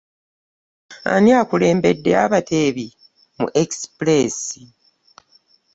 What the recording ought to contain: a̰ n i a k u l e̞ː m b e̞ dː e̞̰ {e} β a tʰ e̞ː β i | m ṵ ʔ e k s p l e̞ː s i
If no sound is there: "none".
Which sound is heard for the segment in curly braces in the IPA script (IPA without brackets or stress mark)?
a